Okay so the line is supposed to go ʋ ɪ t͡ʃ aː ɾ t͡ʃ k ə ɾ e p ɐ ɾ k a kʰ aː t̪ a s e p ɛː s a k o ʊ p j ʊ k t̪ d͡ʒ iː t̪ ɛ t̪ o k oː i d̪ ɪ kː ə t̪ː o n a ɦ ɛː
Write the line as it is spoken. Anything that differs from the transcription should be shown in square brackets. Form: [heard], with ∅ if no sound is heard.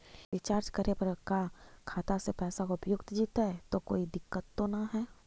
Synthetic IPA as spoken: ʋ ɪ t͡ʃ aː ɾ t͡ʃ k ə ɾ e p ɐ ɾ k a kʰ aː t̪ a s e p ɛː s a k o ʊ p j ʊ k t̪ d͡ʒ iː t̪ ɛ t̪ o k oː i d̪ ɪ kː ə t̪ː o n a ɦ ɛː